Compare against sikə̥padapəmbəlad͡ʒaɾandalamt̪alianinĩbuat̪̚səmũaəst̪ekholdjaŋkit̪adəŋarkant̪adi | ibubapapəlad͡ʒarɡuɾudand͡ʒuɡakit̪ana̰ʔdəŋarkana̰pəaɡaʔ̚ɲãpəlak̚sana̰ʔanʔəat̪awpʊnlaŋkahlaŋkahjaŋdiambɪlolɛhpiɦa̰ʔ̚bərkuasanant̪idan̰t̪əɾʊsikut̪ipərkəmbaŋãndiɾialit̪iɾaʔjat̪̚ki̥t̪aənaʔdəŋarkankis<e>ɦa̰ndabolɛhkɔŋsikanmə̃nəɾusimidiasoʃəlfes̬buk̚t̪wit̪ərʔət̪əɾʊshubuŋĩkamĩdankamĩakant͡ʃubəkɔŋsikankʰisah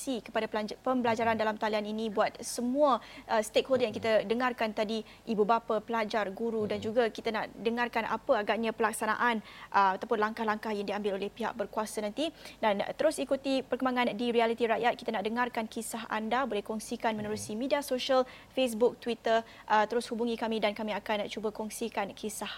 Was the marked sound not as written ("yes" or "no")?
yes